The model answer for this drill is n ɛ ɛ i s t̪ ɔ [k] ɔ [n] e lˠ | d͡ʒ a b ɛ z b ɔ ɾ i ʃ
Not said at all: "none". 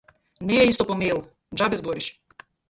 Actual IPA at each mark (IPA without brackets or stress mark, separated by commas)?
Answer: p, m